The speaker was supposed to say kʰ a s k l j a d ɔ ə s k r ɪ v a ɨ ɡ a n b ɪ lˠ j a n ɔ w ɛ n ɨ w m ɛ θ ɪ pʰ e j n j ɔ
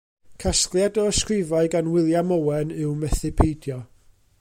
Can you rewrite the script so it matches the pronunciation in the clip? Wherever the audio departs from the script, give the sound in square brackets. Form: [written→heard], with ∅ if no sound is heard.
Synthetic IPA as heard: kʰ a s k l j a d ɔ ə s k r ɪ v a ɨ ɡ a n [b→w] ɪ lˠ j a [n→m] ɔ w ɛ n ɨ w m ɛ θ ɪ pʰ e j [n→d] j ɔ